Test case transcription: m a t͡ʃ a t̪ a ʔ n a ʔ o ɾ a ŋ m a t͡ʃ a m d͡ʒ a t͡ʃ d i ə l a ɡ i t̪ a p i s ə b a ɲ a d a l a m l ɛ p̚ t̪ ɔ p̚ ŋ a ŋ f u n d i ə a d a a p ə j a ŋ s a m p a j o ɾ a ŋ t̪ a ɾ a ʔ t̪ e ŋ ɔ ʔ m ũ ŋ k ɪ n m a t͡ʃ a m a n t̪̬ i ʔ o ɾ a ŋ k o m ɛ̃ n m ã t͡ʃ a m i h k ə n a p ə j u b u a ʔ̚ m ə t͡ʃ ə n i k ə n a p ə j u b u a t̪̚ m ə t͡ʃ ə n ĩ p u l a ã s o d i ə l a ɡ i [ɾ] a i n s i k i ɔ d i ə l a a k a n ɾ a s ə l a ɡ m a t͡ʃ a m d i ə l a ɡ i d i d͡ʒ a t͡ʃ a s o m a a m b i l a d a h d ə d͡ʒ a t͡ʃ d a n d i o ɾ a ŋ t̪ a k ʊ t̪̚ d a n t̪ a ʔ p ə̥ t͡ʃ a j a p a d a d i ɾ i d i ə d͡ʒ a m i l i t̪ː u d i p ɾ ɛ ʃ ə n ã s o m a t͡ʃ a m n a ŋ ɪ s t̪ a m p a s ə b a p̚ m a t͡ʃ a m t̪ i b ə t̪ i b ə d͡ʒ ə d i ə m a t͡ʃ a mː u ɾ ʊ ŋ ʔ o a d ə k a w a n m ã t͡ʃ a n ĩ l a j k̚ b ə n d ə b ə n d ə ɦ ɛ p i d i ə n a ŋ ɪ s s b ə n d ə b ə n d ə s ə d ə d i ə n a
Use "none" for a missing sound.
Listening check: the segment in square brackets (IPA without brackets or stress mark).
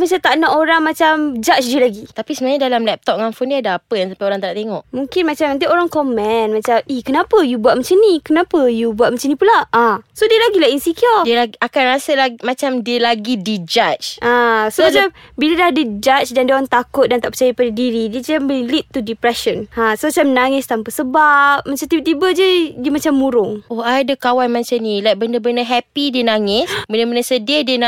l